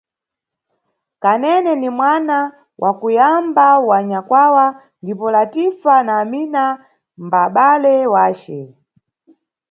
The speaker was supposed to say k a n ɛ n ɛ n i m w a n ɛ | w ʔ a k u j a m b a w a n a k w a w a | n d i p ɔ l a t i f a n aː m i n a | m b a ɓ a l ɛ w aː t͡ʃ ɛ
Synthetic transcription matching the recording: k a n ɛ n ɛ n i m w a n a | w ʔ a k u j a m b a w a ɲ a k w a w a | n d i p ɔ l a t i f a n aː m i n a | m b a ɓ a l ɛ w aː t͡ʃ ɛ